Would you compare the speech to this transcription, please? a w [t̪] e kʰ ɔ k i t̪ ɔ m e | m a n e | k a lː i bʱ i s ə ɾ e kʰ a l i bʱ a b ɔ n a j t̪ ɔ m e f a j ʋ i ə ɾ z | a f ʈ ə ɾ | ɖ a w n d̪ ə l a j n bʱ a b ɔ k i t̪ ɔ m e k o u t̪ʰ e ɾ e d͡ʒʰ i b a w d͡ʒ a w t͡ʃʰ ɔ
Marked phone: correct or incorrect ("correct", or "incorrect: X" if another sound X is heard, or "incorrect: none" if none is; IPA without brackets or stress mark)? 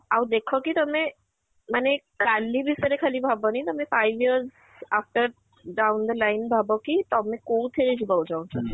incorrect: d̪